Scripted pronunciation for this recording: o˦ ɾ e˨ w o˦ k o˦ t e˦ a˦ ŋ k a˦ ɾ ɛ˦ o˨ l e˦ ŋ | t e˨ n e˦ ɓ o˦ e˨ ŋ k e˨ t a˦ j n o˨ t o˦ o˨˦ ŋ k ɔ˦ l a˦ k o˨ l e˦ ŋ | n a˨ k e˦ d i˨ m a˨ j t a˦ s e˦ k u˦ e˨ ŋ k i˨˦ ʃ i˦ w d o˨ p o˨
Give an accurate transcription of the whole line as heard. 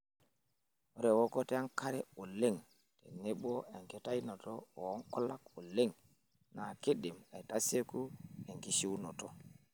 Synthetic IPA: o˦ ɾ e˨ w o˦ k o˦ t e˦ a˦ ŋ k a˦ ɾ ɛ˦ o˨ l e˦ ŋ | t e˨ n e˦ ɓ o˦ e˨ ŋ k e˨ t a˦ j n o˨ t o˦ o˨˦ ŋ k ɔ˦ l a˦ k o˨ l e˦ ŋ | n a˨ k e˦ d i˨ m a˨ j t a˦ s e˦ k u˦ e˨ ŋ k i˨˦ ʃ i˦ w n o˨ t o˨